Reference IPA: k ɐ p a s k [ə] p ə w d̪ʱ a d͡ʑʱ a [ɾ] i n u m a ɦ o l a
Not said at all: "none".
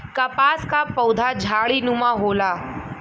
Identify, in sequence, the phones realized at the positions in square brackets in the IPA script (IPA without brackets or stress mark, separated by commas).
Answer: a, ɭ